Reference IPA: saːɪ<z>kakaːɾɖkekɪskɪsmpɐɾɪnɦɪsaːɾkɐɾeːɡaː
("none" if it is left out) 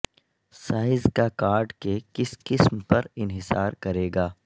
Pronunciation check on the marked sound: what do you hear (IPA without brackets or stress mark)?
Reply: z